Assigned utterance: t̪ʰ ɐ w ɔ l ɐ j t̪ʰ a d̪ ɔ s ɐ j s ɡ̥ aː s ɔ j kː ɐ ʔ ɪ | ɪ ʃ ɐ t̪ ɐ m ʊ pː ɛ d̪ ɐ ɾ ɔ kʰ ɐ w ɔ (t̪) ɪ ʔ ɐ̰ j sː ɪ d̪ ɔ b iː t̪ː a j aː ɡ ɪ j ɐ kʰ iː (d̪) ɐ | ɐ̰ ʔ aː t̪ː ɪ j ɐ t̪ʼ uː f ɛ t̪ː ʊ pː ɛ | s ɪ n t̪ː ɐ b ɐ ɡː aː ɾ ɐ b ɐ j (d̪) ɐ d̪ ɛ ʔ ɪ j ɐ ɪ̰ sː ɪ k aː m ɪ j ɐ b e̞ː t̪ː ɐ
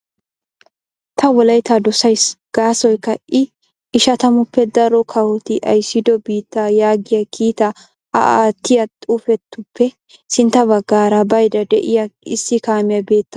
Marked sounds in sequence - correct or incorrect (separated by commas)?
correct, incorrect, correct